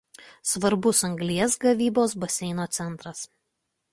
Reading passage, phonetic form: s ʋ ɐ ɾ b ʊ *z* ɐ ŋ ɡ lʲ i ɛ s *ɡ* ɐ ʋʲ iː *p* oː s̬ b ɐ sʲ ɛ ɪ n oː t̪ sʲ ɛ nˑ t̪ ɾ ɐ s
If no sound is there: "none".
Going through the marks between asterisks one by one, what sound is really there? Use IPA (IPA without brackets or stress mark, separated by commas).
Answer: s, ɡ, b